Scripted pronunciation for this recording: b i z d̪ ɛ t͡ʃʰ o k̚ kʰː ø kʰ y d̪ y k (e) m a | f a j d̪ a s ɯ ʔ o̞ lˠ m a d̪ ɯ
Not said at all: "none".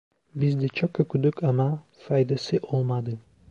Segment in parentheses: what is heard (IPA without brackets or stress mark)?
a